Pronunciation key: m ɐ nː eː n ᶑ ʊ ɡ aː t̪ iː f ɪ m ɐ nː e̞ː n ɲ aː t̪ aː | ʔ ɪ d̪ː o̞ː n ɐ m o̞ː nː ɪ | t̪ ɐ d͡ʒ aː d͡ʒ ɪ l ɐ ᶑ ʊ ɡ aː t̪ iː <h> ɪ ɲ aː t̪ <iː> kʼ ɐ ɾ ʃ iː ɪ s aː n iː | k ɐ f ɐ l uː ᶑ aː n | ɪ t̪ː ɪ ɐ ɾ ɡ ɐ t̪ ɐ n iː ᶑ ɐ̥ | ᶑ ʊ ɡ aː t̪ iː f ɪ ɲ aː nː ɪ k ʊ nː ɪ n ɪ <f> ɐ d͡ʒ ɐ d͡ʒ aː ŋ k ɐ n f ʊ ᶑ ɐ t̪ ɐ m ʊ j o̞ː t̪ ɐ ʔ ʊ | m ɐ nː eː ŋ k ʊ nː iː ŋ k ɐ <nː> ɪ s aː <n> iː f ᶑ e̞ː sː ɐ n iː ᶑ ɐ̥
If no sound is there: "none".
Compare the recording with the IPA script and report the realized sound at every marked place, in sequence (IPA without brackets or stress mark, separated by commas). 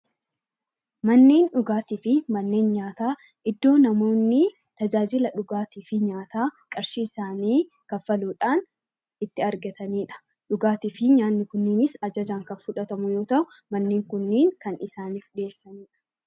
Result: f, aː, s, n, n